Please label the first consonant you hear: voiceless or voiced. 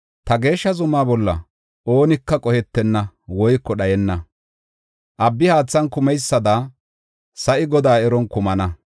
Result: voiceless